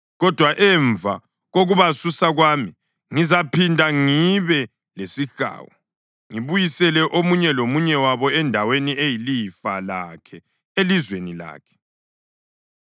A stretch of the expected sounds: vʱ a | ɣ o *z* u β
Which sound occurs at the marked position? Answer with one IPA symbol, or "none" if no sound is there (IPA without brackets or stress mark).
ɣ